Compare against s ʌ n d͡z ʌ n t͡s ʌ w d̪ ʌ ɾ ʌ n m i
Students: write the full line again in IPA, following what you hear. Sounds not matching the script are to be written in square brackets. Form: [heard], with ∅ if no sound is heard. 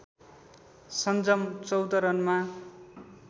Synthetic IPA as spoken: s ʌ n d͡z ʌ [m] t͡s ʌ w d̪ ʌ ɾ ʌ n m [a]